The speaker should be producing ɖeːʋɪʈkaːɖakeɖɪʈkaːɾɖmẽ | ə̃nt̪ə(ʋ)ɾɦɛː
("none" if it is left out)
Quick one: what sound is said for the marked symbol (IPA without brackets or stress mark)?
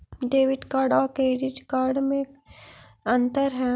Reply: none